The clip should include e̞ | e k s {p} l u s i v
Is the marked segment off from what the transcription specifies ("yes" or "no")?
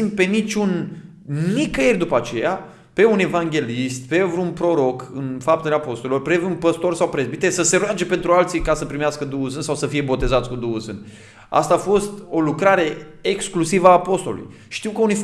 yes